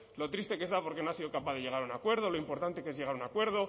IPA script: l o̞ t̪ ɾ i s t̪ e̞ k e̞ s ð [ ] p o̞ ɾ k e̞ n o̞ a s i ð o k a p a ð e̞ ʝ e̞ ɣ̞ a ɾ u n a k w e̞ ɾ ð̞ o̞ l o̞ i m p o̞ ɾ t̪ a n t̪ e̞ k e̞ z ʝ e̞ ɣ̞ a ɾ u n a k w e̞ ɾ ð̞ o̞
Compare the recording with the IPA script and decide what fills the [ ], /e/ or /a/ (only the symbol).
a